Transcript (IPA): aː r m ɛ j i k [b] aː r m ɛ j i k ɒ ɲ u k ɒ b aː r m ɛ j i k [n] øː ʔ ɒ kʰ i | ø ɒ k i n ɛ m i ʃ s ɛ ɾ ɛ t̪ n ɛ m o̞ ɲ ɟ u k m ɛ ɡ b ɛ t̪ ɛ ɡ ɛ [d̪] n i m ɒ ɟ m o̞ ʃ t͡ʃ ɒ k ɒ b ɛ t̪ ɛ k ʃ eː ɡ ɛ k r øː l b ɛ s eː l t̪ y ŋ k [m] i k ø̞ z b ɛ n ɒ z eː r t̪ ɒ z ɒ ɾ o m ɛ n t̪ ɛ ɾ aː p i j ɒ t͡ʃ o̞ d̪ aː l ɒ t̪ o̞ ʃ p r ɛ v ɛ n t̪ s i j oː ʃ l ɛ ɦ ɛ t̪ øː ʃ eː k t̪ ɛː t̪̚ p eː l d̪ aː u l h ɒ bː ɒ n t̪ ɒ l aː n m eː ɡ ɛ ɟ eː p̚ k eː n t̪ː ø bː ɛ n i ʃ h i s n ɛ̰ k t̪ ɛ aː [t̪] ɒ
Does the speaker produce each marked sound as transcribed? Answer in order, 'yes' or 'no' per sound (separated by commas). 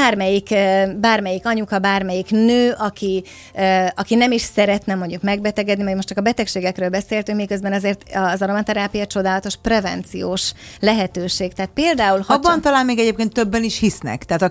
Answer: yes, yes, yes, yes, yes